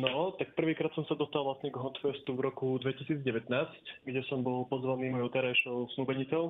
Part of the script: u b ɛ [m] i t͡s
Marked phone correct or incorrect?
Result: incorrect